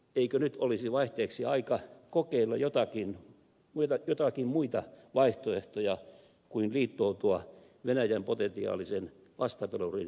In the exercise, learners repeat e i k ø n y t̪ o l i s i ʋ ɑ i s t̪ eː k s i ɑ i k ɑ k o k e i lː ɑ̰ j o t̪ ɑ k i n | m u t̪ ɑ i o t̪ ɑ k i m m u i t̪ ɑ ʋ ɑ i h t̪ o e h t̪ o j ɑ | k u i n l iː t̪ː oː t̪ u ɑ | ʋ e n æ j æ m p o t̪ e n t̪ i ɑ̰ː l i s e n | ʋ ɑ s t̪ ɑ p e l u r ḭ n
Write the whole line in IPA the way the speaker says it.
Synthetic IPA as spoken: e i k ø n y t̪ o l i s i ʋ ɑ i h t̪ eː k s i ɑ i k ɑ k o k e i lː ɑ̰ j o t̪ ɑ k i n | m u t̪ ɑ j o t̪ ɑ k i m m u i t̪ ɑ ʋ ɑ i h t̪ o e h t̪ o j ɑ | k u i n l iː t̪ː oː t̪ u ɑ | ʋ e n æ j æ m p o t̪ e n t̪ i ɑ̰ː l i s e n | ʋ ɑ s t̪ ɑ p e l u r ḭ n